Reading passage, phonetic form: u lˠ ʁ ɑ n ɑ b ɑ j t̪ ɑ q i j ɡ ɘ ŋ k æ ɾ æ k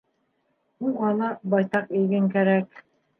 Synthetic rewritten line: u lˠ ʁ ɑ n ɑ b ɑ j t̪ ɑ q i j ɡ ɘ ŋ k æ ɾ æ k